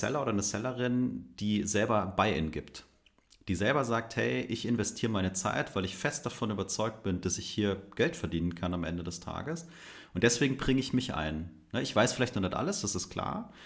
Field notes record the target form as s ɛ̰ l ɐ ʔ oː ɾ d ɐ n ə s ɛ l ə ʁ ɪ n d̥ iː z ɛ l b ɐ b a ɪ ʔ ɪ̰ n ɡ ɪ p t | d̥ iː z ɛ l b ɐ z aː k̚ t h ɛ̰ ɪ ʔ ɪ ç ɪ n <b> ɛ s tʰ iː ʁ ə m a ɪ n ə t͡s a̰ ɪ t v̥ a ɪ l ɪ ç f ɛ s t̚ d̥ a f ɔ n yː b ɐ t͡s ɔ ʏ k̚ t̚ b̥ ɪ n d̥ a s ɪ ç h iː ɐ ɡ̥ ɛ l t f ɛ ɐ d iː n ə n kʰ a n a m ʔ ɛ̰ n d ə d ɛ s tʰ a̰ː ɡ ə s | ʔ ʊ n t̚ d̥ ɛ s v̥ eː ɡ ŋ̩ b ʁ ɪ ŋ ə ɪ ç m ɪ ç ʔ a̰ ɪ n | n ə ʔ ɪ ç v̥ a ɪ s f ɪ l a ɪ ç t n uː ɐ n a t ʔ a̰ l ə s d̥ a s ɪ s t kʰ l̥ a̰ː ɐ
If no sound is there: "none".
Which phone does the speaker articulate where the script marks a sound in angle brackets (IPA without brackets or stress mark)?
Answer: v